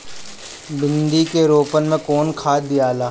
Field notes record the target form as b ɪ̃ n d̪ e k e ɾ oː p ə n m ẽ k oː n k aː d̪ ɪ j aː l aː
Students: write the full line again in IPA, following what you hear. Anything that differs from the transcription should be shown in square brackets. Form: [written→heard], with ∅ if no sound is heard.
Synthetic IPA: b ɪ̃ n d̪ [e→i] k e ɾ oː p ə n m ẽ k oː n [k→kʰ] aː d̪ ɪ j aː l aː